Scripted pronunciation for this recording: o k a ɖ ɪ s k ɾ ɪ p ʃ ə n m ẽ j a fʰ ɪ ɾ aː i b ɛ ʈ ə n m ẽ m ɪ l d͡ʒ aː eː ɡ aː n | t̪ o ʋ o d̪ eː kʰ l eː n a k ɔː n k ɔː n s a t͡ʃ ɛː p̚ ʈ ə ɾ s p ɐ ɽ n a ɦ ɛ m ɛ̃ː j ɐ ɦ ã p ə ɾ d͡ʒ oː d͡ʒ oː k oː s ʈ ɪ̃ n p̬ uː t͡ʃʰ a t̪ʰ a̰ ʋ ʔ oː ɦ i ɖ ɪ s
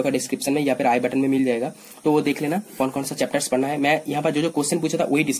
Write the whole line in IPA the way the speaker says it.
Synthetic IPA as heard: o k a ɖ ɪ s k ɾ ɪ p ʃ ə n m ẽ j a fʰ ɪ ɾ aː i b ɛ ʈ ə n m ẽ m ɪ l d͡ʒ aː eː ɡ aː | t̪ o ʋ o d̪ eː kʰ l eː n a k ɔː n k ɔː n s a t͡ʃ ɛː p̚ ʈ ə ɾ s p ɐ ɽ n a ɦ ɛ m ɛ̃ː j ɐ ɦ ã p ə ɾ d͡ʒ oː d͡ʒ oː k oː s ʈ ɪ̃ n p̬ uː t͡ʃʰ a t̪ʰ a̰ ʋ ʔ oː ɦ i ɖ ɪ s